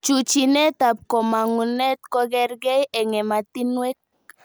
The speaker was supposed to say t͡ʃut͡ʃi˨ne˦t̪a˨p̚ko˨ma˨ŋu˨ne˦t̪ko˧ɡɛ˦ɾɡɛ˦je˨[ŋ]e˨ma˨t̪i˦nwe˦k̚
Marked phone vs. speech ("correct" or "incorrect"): correct